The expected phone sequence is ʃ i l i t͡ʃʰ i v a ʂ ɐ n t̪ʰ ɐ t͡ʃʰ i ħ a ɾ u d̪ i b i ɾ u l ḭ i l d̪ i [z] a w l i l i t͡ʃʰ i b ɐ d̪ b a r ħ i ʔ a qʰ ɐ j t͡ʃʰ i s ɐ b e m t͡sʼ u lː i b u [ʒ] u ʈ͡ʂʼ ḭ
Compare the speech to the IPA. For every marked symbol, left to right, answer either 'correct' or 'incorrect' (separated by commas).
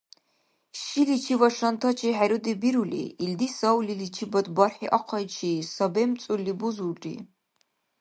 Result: incorrect, incorrect